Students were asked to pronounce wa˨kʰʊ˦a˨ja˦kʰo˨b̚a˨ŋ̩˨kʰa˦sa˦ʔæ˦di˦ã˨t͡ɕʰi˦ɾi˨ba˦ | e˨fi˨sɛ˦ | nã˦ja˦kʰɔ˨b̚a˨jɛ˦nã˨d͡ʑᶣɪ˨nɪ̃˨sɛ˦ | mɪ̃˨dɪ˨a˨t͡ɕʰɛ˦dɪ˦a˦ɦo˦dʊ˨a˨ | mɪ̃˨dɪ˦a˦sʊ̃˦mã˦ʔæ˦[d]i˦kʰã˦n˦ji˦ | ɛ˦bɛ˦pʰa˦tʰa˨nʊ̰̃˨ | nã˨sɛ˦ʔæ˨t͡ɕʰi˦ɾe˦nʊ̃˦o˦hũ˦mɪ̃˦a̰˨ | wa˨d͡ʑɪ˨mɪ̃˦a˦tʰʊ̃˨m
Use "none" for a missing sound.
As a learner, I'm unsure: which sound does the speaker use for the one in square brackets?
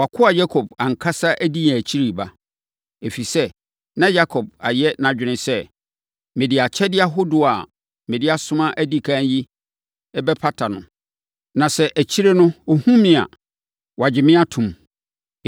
d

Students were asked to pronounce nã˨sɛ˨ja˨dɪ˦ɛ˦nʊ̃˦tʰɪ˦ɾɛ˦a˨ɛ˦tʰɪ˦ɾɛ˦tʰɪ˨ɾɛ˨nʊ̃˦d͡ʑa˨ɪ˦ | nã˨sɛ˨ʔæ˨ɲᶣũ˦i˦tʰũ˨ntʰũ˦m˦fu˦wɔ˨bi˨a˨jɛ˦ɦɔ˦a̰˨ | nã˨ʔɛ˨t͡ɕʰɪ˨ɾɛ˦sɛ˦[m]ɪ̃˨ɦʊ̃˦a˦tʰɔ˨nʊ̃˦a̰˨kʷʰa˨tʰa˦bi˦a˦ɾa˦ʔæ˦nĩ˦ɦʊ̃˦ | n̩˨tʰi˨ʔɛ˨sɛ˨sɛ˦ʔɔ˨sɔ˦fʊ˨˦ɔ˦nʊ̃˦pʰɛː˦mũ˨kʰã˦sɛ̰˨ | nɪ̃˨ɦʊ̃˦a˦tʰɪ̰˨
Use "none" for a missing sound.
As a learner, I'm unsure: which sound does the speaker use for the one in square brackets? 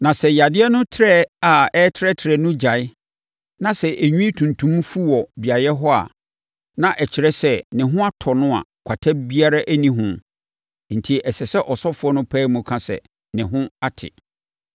n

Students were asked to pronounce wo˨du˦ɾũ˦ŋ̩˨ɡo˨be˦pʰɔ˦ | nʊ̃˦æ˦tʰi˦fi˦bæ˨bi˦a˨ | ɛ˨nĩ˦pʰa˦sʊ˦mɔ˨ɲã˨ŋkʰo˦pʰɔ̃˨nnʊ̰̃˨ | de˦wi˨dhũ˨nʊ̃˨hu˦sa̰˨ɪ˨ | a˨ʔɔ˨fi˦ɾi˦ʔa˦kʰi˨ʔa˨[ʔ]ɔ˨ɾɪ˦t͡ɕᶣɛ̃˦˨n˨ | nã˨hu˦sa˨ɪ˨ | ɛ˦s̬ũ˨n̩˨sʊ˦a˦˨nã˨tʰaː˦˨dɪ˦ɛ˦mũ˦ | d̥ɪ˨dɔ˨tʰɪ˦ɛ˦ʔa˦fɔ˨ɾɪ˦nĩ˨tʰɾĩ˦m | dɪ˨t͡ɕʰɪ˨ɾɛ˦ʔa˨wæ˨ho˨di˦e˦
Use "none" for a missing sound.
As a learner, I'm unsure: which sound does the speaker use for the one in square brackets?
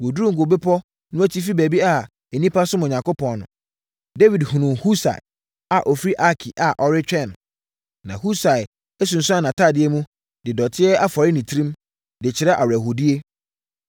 ʔ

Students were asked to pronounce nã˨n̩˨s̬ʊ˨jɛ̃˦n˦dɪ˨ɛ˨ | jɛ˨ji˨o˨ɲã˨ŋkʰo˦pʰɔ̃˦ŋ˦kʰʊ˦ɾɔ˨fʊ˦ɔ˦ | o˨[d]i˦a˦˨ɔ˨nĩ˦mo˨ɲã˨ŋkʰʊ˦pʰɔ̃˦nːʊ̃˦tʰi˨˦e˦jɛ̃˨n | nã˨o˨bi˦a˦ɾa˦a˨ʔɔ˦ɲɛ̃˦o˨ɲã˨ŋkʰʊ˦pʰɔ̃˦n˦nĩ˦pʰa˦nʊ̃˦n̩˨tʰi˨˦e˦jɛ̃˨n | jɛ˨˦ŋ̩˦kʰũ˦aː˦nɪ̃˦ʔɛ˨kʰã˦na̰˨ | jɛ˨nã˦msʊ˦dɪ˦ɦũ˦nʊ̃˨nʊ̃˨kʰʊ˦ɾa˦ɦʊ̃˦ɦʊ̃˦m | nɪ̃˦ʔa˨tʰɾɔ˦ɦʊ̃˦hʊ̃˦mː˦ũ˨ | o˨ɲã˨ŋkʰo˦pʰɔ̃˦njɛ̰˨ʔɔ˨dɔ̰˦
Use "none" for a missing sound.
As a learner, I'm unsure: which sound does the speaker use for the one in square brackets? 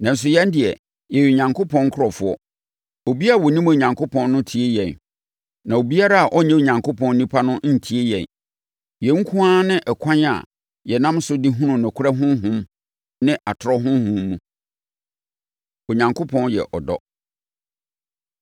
b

